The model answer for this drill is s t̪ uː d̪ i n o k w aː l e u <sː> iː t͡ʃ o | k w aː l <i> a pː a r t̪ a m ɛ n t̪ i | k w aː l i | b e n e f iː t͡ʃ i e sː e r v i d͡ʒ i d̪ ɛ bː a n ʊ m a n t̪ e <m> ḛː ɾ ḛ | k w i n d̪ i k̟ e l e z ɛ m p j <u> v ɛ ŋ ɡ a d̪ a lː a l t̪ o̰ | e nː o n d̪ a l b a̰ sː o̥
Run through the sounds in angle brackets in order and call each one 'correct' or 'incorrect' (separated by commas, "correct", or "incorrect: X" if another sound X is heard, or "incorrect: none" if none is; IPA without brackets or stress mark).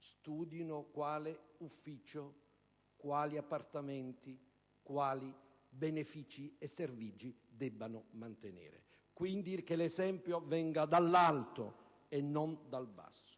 incorrect: fː, correct, incorrect: n, incorrect: o